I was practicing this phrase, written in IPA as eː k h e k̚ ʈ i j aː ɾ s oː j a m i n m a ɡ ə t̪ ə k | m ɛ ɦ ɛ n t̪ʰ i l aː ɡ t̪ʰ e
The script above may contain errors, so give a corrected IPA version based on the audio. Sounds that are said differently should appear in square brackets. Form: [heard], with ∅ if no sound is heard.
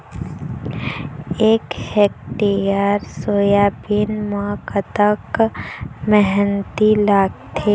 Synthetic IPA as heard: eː k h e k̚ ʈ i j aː ɾ s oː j a [b] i n m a [k] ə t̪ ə k | m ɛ ɦ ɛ n [t̪] i l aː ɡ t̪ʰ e